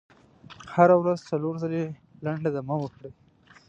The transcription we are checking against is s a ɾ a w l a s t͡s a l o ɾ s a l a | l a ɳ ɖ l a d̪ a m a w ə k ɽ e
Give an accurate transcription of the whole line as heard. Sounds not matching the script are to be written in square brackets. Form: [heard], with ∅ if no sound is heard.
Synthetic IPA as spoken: [h] a ɾ a w [ɾ] a [z] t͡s a l o ɾ [z] a l [e] | l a ɳ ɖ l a d̪ a m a w ə k ɽ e

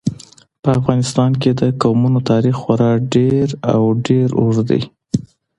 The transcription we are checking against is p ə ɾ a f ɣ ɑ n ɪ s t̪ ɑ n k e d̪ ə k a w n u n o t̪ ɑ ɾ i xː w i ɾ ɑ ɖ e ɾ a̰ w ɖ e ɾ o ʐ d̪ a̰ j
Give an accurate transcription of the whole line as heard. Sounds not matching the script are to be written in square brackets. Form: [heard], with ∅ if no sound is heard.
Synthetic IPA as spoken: p ə [∅] a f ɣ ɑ n ɪ s t̪ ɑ n k e d̪ ə k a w [m] u n o t̪ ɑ ɾ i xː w [a] ɾ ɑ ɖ e ɾ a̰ w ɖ e ɾ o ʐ d̪ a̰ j

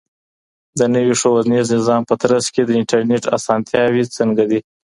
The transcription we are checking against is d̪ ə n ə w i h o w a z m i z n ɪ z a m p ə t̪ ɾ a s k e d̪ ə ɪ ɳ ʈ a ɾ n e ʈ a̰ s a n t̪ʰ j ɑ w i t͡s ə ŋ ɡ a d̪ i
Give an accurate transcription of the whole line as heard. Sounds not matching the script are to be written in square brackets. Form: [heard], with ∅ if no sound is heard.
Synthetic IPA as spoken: d̪ ə n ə w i [ʂ] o w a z [n] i z n ɪ z [ɑ] m p ə t̪ ɾ a s k e d̪ ə ɪ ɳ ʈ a ɾ n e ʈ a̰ s [ɑ] n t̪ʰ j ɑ w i t͡s ə ŋ ɡ a d̪ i

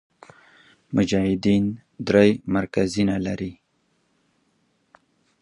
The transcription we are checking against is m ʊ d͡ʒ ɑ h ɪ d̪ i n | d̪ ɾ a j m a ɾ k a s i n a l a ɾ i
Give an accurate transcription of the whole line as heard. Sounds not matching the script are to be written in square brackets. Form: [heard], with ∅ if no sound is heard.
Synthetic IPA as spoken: m ʊ d͡ʒ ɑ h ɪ d̪ i n | d̪ ɾ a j m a ɾ k a [z] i n a l a ɾ i

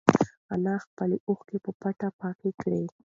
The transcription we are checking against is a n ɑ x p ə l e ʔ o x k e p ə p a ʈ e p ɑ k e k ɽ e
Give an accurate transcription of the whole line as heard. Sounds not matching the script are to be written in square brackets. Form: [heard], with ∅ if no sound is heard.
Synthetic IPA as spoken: a n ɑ x p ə l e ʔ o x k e p ə p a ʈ [a] p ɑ k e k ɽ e

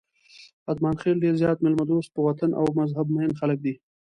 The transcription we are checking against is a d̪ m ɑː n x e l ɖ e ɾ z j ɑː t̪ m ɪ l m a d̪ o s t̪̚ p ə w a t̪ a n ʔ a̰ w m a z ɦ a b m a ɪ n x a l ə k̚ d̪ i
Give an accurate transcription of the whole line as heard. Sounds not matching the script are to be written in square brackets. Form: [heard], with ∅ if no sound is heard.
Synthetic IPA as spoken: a d̪ m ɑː n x e l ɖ e ɾ z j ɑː t̪ m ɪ l m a d̪ o s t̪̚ p ə w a t̪ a n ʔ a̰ w m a z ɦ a b m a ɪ n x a l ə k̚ d̪ i

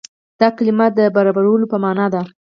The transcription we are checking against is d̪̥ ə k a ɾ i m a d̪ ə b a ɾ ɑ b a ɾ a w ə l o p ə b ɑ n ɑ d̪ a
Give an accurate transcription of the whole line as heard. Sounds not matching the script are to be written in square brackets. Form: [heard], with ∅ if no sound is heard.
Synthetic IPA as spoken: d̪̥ [ɑ] k a [l] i m a d̪ ə b a ɾ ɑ b a ɾ a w ə l o p ə [m] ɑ n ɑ d̪ a

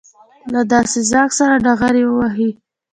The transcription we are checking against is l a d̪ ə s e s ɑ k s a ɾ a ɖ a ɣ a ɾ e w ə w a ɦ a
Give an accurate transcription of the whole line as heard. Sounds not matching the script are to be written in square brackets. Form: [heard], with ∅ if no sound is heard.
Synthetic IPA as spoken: l a d̪ [ɑ] s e [z] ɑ k s a ɾ a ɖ a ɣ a ɾ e w ə w a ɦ [i]

